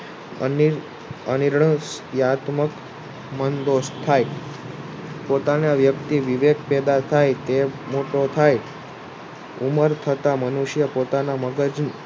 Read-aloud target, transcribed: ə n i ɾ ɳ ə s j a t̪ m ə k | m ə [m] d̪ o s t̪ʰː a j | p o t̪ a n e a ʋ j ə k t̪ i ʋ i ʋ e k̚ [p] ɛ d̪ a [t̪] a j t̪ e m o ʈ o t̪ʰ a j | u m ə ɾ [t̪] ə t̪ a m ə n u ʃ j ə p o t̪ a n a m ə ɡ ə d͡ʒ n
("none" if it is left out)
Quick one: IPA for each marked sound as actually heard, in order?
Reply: n, p, t̪ʰ, t̪ʰ

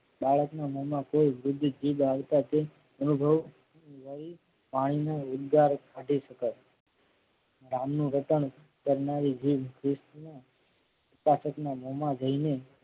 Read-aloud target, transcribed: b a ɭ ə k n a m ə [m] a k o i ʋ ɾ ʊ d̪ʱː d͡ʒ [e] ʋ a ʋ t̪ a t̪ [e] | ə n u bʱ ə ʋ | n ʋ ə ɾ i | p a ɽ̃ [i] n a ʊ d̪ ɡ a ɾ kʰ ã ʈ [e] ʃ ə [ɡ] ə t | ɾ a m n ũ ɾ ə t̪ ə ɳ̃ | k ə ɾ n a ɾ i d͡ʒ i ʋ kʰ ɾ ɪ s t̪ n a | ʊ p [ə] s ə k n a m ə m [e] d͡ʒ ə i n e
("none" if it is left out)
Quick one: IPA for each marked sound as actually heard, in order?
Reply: m, i, e, i, i, k, a, a

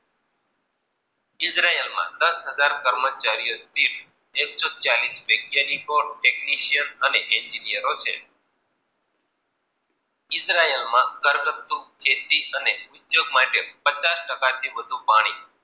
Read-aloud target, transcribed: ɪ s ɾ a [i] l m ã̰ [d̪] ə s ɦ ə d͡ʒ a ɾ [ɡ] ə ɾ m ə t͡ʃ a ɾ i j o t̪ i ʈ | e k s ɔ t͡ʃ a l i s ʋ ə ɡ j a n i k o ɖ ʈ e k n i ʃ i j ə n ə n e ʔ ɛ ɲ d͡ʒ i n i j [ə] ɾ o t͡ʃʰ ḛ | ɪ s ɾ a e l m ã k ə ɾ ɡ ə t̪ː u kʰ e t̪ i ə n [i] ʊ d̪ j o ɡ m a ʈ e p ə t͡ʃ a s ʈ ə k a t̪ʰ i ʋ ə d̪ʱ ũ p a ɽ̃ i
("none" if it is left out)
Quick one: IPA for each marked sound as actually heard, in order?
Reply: e, d̪, k, ə, e

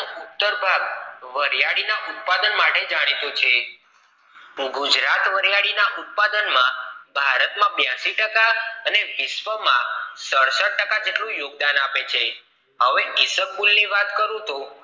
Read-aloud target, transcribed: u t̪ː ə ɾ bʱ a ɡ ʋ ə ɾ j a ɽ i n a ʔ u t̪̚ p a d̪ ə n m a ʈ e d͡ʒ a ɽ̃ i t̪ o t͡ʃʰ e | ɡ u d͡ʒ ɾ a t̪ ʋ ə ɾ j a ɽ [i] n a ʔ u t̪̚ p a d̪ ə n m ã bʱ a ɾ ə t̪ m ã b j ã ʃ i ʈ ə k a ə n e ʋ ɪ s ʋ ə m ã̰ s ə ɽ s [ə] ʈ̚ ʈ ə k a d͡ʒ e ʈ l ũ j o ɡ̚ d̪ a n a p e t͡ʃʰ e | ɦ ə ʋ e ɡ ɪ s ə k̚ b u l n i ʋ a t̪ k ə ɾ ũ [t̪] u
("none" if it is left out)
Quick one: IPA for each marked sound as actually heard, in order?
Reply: i, ə, t̪

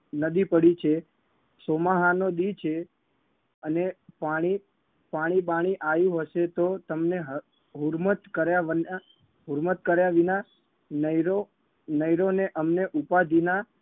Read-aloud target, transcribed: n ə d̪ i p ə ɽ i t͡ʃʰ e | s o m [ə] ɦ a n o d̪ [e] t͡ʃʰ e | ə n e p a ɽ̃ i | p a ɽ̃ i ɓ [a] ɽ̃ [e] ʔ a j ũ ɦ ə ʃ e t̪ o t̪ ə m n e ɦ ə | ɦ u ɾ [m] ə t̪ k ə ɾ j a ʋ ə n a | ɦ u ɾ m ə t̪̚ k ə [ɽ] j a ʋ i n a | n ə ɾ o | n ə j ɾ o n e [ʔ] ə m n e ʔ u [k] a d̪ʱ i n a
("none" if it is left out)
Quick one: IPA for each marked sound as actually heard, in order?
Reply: a, i, a, i, m, ɾ, ʔ, p

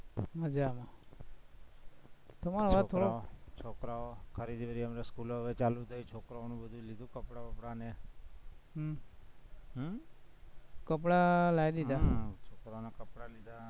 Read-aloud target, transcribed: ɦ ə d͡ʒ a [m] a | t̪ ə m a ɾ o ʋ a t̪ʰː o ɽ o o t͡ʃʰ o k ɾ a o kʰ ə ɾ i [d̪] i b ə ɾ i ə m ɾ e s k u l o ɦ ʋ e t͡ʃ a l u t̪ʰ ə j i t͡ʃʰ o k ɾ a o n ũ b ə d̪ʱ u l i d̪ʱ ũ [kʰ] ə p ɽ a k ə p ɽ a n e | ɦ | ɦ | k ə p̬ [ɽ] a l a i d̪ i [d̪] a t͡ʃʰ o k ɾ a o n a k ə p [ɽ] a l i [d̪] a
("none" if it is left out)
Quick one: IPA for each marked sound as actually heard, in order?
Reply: m, d̪, k, ɽ, d̪, ɽ, d̪

